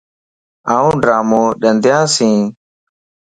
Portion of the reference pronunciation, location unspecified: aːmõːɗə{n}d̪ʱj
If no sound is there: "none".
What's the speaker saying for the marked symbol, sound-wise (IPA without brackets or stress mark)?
n